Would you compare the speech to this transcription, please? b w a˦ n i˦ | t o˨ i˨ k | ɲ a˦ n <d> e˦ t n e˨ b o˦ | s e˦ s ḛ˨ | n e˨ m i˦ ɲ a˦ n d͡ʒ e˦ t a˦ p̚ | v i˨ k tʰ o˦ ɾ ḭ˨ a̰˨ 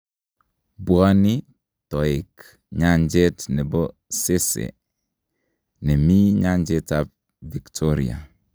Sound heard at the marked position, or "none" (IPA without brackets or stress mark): d͡ʒ